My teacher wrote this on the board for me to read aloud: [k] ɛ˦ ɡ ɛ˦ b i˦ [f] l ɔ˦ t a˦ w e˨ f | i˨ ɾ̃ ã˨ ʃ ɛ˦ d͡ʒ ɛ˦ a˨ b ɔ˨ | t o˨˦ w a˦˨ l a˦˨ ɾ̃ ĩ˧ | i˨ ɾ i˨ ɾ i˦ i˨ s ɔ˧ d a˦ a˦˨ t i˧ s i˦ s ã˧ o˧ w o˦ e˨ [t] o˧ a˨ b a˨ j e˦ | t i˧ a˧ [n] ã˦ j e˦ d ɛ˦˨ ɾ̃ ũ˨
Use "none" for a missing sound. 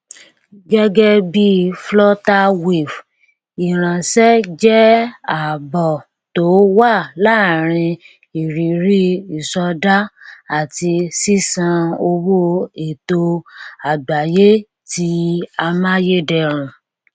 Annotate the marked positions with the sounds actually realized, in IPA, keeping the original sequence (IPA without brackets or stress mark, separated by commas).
ɡ, f, t, m